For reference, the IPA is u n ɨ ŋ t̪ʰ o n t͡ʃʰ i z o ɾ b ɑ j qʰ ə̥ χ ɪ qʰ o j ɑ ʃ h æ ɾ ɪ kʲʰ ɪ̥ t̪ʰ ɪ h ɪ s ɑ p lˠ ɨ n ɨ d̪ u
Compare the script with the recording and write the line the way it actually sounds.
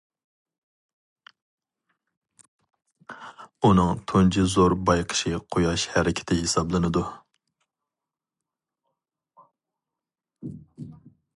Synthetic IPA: u n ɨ ŋ t̪ʰ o n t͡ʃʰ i z o ɾ b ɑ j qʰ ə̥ ʃ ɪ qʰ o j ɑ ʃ h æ ɾ ɪ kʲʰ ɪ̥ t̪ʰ ɪ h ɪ s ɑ b lˠ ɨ n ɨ d̪ u